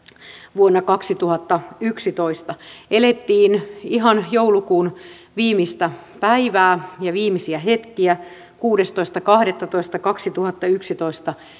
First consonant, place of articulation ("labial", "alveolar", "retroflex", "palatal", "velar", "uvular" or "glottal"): labial